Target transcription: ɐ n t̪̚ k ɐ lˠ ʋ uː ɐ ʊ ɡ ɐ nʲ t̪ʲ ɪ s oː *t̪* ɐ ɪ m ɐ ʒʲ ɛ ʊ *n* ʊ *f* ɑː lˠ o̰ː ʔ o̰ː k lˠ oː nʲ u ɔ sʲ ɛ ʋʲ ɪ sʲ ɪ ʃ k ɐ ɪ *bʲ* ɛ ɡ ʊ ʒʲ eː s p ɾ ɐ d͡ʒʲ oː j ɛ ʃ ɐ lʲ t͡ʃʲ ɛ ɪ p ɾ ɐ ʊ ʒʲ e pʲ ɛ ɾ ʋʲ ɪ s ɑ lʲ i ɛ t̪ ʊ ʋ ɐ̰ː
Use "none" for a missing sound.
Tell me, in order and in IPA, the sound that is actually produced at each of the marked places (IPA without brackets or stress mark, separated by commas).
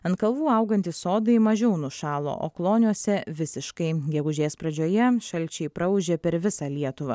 d̪, n, ʃ, ɡʲ